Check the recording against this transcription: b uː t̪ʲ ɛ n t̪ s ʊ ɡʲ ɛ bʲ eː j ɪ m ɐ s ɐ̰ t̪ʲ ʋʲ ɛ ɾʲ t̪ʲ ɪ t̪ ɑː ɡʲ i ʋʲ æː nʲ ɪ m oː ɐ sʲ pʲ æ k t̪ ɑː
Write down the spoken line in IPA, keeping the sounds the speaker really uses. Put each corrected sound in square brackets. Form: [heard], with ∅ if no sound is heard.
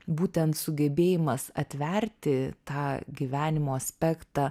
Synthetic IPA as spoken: b uː t̪ʲ ɛ n t̪ s ʊ ɡʲ ɛ bʲ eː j ɪ m ɐ s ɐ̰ t̪ʲ ʋʲ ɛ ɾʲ t̪ʲ ɪ t̪ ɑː ɡʲ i ʋʲ æː nʲ ɪ m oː ɐ sʲ pʲ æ k t̪ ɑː